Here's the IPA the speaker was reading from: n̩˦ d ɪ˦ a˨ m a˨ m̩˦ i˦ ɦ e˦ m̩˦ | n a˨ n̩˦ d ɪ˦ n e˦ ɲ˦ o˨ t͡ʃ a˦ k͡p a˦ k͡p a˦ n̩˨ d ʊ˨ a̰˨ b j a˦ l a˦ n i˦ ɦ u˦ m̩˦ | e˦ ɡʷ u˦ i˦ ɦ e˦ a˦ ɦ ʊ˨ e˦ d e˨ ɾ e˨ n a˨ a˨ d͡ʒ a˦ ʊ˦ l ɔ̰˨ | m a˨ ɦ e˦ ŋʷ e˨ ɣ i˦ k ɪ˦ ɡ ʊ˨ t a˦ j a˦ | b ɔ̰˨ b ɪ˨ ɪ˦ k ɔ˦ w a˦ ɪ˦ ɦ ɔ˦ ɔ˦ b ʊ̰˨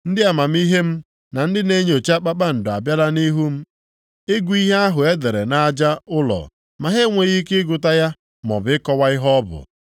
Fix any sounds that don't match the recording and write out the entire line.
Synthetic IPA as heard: n̩˦ d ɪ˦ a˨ m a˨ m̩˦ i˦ ɦ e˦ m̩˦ | n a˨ n̩˦ d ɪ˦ n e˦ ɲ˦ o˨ t͡ʃ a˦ k͡p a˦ k͡p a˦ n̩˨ d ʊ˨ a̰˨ b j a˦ l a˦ n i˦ ɦ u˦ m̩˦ | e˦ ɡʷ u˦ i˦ ɦ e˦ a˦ ɦ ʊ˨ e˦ d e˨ ɾ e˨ n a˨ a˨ d͡ʒ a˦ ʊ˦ l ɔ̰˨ | m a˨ ɦ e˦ ŋʷ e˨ ɣ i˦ k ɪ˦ ɡ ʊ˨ t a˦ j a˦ | m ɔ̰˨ b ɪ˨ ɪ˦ k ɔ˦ w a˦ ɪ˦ ɦ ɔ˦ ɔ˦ b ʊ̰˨

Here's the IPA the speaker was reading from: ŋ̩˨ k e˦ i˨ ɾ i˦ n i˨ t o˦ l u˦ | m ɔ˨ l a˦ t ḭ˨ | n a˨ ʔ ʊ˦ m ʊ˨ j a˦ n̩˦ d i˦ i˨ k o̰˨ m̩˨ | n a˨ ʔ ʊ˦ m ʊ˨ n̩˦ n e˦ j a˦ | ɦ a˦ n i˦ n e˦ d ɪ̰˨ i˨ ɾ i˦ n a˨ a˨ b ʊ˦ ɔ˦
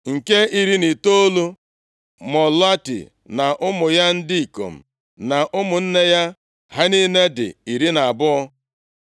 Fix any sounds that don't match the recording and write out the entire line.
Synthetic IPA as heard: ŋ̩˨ k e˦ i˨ ɾ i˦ n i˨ t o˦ l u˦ | m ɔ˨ l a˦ t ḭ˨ | n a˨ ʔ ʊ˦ m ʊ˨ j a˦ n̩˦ d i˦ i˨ k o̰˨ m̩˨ | n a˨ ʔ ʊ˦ m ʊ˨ n̩˦ n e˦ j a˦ | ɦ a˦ n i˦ n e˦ d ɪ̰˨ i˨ ɾ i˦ n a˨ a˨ b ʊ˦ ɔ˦

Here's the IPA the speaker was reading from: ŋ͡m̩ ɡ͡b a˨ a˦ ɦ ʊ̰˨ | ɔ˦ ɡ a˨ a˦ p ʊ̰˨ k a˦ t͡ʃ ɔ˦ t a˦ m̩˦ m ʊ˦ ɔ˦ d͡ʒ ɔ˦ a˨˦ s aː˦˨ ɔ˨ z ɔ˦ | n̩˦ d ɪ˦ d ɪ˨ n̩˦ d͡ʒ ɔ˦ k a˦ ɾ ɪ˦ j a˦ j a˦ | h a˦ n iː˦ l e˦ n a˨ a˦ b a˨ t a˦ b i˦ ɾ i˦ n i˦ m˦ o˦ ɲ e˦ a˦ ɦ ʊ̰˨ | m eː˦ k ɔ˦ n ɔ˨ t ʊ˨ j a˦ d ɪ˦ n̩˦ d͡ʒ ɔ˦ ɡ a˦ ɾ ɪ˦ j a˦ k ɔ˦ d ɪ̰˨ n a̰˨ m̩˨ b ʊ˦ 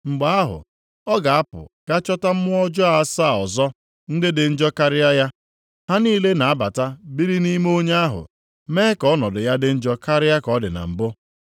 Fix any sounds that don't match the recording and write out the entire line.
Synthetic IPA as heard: ŋ͡m̩ ɡ͡b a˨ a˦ ɦ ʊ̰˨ | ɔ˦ ɡ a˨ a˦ p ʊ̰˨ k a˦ t͡ʃ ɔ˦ t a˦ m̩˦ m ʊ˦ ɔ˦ d͡ʒ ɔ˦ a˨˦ s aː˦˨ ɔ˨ z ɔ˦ | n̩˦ d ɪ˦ d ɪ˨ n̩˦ d͡ʒ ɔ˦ k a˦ ɾ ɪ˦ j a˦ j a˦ | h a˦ n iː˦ l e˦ n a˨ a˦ b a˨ t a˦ b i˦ ɾ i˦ n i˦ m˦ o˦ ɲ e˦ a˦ ɦ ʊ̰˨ | m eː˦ k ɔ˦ n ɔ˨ d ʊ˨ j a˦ d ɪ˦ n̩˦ d͡ʒ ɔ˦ k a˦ ɾ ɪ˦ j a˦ k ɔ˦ d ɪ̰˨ n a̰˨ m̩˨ b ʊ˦

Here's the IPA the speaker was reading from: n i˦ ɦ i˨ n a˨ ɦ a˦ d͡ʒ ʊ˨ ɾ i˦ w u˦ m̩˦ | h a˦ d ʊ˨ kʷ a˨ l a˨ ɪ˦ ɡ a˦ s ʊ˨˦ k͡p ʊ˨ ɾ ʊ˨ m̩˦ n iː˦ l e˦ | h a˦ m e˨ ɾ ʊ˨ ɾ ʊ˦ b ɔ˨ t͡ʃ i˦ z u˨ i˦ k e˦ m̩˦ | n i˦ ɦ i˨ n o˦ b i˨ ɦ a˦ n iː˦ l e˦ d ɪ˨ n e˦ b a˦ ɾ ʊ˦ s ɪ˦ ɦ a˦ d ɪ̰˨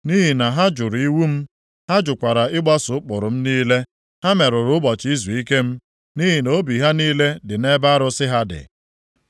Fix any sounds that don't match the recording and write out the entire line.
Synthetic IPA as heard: n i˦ ɦ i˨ n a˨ ɦ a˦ d͡ʒ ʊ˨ ɾ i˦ w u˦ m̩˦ | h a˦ d͡ʒ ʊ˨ kʷ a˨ ɾ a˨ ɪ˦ ɡ͡b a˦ s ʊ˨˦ k͡p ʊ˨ ɾ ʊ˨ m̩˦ n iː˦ l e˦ | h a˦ m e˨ ɾ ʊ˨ ɾ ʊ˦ b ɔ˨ t͡ʃ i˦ z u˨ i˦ k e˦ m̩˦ | n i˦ ɦ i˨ n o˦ b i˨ ɦ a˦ n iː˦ l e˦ d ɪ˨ n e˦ b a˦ ɾ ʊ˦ s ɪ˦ ɦ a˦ d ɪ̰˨

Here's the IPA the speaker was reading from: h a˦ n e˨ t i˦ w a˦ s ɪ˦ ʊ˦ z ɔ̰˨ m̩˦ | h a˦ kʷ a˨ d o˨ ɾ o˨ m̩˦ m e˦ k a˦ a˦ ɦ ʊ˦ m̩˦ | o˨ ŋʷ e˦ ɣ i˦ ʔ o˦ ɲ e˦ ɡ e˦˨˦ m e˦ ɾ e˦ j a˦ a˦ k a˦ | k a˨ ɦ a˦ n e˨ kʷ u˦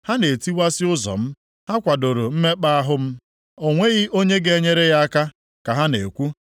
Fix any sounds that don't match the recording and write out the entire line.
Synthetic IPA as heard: h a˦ n e˨ t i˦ w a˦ s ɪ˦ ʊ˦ z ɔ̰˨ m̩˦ | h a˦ kʷ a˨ d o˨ ɾ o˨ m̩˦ m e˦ k͡p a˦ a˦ ɦ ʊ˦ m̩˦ | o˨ ŋʷ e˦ ɣ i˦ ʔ o˦ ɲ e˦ ɡ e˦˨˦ ɲ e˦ ɾ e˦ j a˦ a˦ k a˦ | k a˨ ɦ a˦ n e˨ kʷ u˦

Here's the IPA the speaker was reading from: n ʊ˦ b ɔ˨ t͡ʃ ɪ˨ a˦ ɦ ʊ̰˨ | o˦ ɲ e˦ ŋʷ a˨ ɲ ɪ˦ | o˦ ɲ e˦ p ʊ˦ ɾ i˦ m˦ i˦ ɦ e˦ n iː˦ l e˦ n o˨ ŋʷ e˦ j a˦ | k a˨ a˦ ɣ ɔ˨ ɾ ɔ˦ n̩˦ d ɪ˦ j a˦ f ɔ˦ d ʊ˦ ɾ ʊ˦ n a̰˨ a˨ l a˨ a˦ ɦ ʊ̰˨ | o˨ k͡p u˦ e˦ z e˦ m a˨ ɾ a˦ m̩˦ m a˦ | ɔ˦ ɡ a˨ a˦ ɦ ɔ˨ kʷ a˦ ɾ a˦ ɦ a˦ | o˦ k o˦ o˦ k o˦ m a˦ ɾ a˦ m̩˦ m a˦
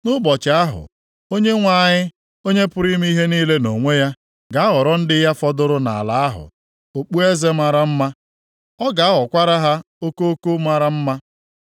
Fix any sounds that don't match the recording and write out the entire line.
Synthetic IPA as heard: n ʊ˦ b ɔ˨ t͡ʃ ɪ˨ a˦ ɦ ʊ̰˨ | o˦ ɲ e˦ ŋʷ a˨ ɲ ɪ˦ | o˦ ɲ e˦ p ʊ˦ ɾ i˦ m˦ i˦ ɦ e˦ n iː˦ l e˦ n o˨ ŋʷ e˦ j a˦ | ɡ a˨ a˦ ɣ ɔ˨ ɾ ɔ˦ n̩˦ d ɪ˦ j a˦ f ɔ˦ d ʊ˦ ɾ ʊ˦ n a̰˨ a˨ l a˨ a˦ ɦ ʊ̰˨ | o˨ k͡p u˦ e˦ z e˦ m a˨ ɾ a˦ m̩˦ m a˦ | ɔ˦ ɡ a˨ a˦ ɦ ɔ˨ kʷ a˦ ɾ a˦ ɦ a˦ | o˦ k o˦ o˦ k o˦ m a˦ ɾ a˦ m̩˦ m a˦

